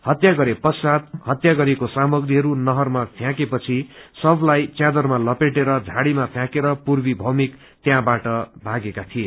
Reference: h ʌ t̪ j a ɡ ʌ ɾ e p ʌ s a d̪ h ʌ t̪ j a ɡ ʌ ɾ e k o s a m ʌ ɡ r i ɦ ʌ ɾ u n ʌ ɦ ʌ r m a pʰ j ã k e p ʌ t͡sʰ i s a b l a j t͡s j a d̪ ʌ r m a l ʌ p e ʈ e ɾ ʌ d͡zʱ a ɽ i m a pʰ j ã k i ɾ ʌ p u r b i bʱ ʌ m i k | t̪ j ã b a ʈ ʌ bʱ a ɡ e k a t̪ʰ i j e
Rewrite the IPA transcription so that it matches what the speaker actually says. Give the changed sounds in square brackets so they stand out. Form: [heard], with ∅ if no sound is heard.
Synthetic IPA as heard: h ʌ t̪ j a ɡ ʌ ɾ e p ʌ s a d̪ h ʌ t̪ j a ɡ ʌ ɾ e k o s a m ʌ ɡ r i ɦ ʌ ɾ u n ʌ ɦ ʌ r m a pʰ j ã k e p ʌ t͡sʰ i s [ʌ] b l a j t͡s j a d̪ ʌ r m a l ʌ p e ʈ e ɾ ʌ d͡zʱ a ɽ i m a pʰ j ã k [e] ɾ ʌ p u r b i bʱ ʌ m i k | t̪ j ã b a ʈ ʌ bʱ a ɡ e k a t̪ʰ i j e